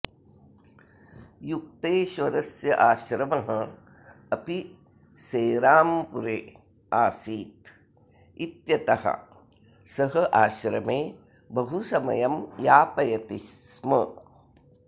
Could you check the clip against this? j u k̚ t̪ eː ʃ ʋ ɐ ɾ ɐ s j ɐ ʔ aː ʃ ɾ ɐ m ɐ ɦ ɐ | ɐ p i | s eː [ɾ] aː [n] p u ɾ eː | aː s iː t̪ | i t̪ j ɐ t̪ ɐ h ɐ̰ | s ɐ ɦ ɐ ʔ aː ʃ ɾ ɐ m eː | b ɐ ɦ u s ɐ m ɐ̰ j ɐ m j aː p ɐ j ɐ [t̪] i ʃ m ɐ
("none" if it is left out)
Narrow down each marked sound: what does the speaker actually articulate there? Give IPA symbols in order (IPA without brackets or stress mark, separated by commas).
ɾ, m, t̪